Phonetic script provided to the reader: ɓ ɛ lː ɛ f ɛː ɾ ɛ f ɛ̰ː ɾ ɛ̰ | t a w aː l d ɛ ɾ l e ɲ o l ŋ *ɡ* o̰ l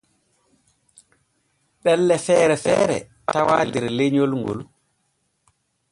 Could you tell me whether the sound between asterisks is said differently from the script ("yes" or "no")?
no